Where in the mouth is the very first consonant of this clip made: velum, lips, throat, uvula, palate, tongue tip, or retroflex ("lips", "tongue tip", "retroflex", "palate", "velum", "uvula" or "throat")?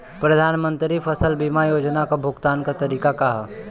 lips